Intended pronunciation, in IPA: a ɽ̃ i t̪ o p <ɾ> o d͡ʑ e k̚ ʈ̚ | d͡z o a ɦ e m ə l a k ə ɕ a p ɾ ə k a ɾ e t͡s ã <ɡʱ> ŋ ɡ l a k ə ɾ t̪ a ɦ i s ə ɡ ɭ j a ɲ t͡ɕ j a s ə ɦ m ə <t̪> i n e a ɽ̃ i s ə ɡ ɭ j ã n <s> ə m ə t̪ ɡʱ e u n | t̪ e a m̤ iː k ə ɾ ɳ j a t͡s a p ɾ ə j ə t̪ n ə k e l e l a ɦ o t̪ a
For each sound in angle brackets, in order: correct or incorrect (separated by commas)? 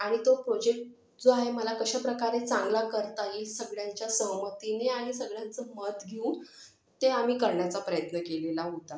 correct, incorrect, correct, incorrect